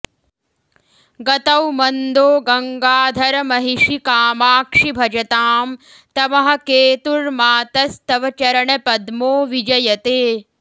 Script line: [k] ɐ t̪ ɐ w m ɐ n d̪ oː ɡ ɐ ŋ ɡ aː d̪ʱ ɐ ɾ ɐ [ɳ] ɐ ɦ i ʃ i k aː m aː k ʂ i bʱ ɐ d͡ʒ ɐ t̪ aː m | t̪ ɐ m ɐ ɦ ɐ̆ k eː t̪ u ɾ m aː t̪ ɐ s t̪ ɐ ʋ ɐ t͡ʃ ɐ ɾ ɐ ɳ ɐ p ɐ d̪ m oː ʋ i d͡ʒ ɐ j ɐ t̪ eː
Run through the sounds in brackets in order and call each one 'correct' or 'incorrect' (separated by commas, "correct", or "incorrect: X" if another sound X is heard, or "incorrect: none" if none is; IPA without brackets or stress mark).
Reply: incorrect: ɡ, incorrect: m